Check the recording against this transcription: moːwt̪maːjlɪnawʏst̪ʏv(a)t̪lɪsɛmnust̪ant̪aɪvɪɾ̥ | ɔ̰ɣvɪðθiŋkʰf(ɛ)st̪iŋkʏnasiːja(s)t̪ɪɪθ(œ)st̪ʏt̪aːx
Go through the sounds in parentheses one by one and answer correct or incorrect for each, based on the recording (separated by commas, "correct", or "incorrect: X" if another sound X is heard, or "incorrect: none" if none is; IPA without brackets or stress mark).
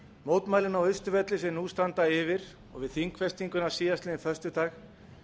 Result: incorrect: ɛ, correct, correct, correct